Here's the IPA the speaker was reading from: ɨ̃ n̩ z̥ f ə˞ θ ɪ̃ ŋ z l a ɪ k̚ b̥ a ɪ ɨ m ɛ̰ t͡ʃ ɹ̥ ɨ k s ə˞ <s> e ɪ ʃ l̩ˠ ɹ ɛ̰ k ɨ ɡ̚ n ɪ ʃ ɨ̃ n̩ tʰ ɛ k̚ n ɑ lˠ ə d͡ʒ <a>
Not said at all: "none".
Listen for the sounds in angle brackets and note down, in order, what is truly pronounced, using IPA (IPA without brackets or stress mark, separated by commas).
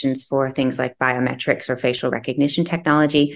f, i